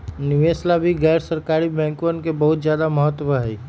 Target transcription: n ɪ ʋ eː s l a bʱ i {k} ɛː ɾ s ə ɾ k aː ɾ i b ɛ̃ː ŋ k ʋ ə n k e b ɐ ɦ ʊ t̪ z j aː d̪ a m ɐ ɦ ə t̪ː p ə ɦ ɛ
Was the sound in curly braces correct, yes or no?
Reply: no